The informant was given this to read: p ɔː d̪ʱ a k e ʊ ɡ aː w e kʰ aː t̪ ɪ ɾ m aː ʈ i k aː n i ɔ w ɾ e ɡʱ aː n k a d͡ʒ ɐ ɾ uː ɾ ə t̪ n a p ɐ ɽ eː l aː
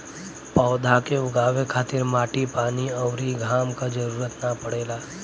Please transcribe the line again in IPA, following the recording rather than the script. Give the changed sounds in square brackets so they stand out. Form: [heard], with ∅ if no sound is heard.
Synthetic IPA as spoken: p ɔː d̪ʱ a k e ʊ ɡ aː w e kʰ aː t̪ ɪ ɾ m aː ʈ i [p] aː n i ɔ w ɾ [i] ɡʱ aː [m] k a d͡ʒ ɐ ɾ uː ɾ ə t̪ n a p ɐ ɽ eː l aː